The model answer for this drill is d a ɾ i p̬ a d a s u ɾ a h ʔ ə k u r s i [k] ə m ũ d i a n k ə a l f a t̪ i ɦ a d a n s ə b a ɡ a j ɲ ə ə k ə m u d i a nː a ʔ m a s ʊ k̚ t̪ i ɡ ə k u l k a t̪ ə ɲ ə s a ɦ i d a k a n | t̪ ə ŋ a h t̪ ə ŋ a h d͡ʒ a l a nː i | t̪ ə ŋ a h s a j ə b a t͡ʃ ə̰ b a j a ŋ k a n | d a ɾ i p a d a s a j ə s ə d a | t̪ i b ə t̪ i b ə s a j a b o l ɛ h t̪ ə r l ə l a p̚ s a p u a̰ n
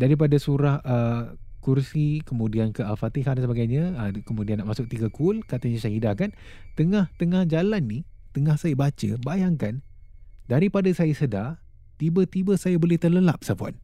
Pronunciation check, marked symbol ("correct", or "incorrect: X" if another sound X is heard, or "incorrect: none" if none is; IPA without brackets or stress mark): correct